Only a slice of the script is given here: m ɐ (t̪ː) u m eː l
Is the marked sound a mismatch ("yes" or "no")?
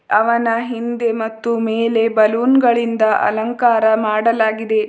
no